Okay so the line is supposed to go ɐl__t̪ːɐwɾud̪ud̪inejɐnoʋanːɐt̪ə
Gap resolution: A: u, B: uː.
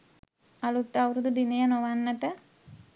A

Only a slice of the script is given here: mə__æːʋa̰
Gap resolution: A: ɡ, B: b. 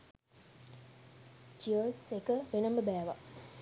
B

